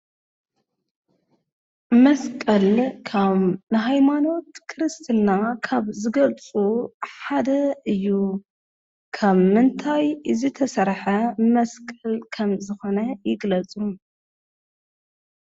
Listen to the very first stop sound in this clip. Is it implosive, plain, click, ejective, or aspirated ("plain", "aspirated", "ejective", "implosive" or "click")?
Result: ejective